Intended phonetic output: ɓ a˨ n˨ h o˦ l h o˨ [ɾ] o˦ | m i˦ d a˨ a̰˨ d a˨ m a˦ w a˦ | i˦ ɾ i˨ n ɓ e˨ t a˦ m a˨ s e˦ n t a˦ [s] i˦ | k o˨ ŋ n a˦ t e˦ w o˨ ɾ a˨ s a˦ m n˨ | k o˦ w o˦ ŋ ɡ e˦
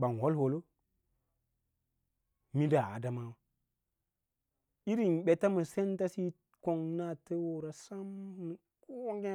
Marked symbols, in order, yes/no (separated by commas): no, yes